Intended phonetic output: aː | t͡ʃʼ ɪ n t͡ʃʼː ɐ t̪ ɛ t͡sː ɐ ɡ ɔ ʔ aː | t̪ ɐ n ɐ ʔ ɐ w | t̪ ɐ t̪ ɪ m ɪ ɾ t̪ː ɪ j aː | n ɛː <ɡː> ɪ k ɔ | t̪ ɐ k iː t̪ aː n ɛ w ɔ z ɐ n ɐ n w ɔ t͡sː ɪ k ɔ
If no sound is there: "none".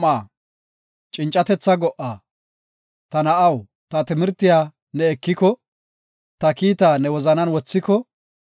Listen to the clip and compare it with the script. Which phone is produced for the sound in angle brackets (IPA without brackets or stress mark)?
kː